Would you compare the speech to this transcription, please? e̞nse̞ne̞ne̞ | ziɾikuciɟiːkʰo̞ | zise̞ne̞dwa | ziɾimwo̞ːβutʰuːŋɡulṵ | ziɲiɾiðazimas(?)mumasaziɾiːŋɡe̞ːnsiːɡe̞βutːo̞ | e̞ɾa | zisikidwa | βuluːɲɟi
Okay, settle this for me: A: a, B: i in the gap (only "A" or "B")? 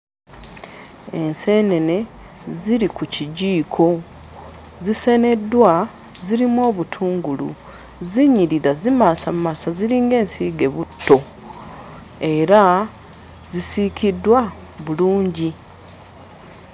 A